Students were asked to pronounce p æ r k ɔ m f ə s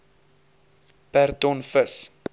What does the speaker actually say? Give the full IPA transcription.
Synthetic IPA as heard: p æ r t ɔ n f ə s